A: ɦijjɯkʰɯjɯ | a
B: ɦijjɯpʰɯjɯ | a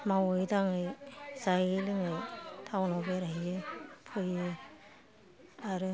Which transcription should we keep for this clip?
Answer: B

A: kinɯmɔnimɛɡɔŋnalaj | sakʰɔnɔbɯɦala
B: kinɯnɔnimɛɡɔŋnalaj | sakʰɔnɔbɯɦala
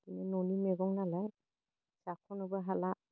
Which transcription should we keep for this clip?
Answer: B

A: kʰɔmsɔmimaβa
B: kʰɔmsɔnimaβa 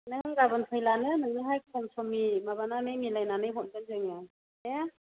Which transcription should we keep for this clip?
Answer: A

